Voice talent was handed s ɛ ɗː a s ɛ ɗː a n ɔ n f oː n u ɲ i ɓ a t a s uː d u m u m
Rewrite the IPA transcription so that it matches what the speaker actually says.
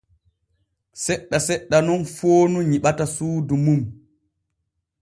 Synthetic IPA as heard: s ɛ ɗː a s ɛ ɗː a n ɔ n f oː n u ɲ i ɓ a t a s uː d u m u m